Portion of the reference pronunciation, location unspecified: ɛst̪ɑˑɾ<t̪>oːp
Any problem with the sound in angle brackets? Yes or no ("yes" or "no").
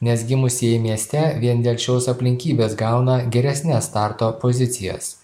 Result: no